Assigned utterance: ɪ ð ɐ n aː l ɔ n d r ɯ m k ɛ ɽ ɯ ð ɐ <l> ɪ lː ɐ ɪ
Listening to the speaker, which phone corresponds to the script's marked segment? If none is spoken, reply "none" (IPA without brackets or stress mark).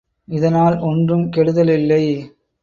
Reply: l